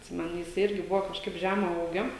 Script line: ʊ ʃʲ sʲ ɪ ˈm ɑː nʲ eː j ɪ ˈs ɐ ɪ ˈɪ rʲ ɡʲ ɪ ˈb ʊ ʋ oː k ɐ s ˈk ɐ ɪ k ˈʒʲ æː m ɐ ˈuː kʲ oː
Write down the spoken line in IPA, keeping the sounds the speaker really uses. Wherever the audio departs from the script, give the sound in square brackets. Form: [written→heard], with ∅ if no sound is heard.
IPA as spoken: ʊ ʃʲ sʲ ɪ ˈm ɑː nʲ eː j ɪ ˈs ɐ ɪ ˈɪ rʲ ɡʲ ɪ ˈb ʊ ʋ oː k ɐ [s→ʃ] ˈk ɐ ɪ [k→p] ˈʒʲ æː m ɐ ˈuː [kʲ→ɡʲ] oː